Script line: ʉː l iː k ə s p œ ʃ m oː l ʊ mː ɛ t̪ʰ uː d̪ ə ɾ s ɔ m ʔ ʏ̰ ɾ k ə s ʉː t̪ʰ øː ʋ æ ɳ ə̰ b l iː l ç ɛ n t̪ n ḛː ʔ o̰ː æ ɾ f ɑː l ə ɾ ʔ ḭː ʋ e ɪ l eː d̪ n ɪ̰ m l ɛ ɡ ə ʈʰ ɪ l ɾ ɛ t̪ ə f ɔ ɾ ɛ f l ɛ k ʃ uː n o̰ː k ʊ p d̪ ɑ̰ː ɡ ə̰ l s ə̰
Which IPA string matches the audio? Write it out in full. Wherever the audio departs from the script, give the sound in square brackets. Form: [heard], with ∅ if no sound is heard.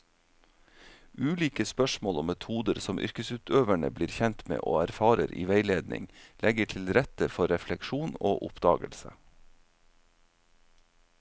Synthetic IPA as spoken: ʉː l iː k ə s p œ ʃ m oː l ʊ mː ɛ t̪ʰ uː d̪ ə ɾ s ɔ m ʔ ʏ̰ ɾ k ə s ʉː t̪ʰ øː ʋ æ ɳ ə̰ b l iː [ɾ] ç ɛ n t̪ [m] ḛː ʔ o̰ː æ ɾ f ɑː [ɾ] ə ɾ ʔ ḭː ʋ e ɪ l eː d̪ n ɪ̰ [ŋ] l ɛ ɡ ə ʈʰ ɪ l ɾ ɛ t̪ ə f ɔ ɾ ɛ f l ɛ k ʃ uː n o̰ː [ʔ] ʊ p d̪ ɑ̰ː ɡ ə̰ l s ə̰